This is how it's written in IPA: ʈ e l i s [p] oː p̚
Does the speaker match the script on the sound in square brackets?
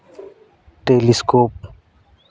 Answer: no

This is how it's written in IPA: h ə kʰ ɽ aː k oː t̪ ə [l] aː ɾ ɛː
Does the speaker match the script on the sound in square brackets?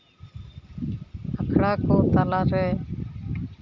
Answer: yes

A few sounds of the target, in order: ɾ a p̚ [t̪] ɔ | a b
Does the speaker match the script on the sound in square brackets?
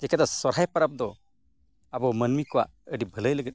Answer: no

